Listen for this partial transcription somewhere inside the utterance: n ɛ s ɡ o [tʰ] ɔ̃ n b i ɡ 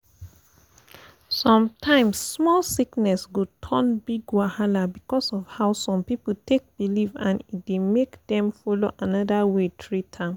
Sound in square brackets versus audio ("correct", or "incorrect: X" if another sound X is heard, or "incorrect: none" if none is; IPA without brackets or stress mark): correct